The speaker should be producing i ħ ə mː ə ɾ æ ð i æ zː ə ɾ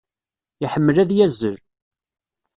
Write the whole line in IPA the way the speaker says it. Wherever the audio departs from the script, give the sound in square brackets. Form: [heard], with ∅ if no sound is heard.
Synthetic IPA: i ħ ə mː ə [l] æ ð [j] æ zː ə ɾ